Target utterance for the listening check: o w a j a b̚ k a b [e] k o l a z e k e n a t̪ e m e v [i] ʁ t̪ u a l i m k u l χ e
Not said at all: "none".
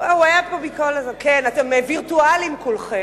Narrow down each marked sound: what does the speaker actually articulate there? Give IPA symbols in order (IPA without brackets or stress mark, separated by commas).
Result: i, i